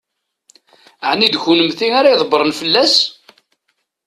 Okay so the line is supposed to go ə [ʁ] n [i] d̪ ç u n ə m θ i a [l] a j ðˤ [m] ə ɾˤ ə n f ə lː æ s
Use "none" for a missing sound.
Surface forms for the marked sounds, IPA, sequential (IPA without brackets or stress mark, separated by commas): ʕ, i, ɾ, b